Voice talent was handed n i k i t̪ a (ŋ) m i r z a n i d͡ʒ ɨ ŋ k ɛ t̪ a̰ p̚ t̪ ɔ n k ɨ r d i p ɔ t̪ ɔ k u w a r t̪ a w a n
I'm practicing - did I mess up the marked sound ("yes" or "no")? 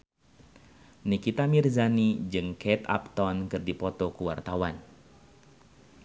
yes